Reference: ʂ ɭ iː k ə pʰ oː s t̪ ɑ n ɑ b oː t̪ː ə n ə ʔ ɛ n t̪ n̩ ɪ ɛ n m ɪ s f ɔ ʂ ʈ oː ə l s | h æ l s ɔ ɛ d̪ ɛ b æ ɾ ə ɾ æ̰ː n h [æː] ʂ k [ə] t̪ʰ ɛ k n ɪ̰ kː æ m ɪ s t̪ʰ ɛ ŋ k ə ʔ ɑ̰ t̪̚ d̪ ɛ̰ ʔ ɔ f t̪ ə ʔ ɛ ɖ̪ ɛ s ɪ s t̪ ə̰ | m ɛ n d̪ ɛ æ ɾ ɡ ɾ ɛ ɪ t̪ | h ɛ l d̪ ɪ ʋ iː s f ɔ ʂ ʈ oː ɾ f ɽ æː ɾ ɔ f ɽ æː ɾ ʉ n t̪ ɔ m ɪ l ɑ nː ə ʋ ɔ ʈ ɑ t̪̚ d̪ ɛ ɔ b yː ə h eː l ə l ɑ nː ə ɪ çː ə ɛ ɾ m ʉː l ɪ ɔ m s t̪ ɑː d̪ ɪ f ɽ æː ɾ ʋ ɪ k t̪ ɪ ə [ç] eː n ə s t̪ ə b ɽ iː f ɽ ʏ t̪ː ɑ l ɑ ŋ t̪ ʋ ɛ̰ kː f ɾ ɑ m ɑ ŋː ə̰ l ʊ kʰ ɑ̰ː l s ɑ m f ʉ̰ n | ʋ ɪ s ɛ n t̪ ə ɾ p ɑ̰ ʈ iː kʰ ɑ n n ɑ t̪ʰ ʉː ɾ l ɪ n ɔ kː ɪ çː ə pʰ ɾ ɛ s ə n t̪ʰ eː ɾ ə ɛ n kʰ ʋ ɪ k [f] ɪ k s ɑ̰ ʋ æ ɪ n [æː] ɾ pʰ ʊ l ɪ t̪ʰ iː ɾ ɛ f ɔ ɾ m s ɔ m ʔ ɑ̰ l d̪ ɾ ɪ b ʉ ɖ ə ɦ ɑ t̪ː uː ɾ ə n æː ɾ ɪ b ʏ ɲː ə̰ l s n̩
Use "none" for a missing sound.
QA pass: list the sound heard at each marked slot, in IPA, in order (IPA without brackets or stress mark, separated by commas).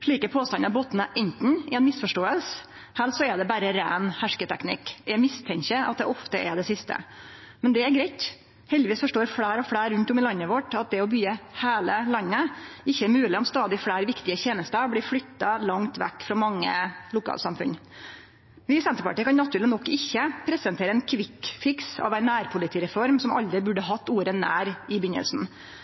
æ, ə, ç, f, æː